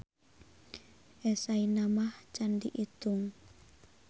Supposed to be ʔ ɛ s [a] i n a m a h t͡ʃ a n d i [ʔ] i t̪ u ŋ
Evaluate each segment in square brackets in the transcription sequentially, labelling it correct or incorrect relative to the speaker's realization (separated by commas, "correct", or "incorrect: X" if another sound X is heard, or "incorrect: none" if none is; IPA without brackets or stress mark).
correct, correct